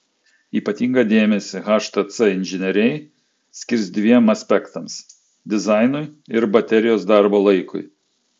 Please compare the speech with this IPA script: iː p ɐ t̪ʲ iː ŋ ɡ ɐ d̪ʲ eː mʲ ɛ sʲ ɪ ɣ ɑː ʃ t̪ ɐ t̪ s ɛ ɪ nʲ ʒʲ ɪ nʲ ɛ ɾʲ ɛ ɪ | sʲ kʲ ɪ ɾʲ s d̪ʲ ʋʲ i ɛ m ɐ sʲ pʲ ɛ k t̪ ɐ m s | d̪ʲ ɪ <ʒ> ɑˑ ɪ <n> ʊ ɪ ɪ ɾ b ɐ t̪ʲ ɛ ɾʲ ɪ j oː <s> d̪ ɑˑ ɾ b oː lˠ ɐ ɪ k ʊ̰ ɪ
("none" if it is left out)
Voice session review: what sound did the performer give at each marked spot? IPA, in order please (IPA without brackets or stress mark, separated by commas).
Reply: z, n, s